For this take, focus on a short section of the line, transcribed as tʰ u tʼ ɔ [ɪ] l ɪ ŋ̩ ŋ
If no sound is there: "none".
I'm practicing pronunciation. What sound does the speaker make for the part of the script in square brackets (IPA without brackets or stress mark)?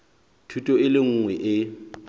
ɪ